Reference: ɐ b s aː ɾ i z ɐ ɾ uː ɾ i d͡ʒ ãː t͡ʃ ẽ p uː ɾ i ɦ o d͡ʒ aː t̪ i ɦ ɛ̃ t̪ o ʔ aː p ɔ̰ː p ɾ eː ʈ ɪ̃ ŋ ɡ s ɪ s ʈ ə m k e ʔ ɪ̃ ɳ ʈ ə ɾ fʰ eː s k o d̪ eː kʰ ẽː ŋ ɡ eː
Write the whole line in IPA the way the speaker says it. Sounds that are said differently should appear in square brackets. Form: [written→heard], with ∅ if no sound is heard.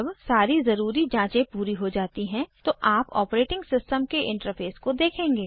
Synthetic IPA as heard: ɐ b s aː ɾ i z ɐ ɾ uː ɾ i d͡ʒ ãː t͡ʃ ẽ p uː ɾ i ɦ o d͡ʒ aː t̪ i ɦ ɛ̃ t̪ o ʔ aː p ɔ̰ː p ɾ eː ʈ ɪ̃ ŋ ɡ s ɪ s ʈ ə m k e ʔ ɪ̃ ɳ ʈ ə ɾ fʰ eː s k o d̪ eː kʰ ẽː ŋ ɡ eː